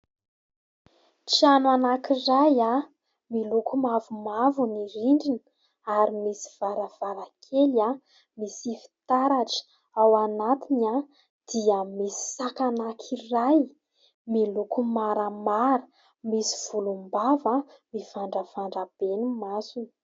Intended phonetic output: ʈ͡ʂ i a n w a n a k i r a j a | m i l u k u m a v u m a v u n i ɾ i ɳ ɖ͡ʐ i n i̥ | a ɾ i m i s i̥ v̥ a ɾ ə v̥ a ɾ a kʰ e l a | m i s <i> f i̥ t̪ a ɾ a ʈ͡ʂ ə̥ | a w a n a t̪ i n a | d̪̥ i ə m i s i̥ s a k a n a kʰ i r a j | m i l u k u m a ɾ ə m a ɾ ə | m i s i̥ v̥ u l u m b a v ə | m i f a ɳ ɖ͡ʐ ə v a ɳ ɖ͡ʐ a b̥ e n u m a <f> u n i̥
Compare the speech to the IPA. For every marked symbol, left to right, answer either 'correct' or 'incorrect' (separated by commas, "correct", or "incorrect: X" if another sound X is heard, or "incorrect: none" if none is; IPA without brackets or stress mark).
correct, incorrect: s